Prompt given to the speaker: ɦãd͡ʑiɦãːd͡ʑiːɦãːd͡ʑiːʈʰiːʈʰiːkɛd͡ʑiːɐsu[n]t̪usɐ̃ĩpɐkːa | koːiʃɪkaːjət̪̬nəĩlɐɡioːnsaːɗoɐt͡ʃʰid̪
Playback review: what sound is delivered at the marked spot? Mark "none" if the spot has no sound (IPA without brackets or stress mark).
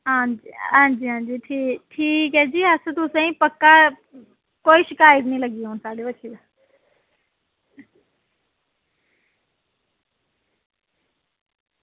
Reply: none